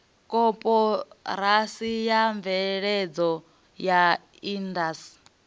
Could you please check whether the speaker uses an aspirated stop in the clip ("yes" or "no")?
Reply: no